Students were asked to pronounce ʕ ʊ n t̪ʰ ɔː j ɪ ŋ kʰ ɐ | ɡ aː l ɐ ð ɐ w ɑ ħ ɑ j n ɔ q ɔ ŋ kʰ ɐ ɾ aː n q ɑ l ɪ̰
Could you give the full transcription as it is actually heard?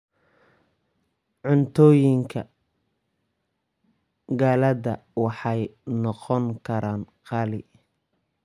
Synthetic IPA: ʕ ʊ n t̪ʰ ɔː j ɪ ŋ kʰ ɐ | ɡ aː l ɐ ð ɐ w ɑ ħ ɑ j n ɔ q ɔ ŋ kʰ ɐ ɾ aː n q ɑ l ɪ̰